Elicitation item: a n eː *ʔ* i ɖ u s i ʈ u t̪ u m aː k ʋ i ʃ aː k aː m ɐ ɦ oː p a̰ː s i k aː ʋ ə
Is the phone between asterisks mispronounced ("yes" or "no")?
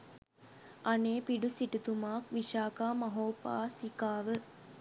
yes